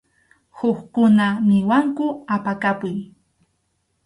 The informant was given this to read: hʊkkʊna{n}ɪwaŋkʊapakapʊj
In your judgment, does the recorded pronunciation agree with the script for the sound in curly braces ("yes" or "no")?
no